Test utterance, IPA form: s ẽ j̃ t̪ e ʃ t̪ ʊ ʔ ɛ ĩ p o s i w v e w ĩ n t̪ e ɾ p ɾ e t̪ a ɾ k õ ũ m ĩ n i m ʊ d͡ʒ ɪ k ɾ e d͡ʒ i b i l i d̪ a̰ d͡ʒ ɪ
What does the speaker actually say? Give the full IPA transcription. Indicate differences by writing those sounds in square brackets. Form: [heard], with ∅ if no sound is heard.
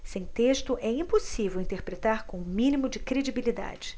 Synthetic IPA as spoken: s ẽ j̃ t̪ e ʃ t̪ ʊ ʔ ɛ ĩ p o s i [∅] v e w ĩ n t̪ e ɾ p ɾ e t̪ a ɾ k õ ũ m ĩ n i m ʊ d͡ʒ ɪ k ɾ e d͡ʒ i b i l i d̪ a̰ d͡ʒ ɪ